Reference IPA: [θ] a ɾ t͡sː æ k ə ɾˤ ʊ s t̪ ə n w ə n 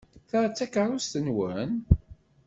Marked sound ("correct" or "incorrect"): correct